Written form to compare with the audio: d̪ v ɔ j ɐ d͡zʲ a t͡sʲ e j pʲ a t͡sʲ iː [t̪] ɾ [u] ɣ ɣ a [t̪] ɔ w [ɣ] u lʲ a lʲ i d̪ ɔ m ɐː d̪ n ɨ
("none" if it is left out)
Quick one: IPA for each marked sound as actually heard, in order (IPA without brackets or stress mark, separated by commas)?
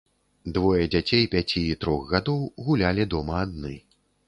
t̪, ɔ, d̪, ɣ